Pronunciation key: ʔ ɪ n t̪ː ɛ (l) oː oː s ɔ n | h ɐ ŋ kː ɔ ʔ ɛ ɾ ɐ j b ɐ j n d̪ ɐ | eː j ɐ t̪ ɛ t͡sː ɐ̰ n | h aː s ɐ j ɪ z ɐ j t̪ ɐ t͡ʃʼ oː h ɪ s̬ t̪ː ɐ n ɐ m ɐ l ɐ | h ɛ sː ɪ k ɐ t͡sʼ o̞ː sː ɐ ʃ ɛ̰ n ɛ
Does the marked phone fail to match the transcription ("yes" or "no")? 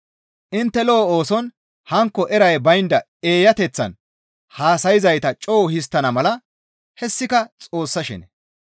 no